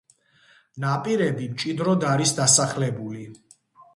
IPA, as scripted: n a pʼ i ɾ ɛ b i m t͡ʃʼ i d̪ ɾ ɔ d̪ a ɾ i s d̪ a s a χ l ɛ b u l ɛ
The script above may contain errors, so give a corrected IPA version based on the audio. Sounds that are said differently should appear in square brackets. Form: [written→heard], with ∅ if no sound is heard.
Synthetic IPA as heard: n a pʼ i ɾ ɛ b i m t͡ʃʼ i d̪ ɾ ɔ d̪ a ɾ i s d̪ a s a χ l ɛ b u l [ɛ→i]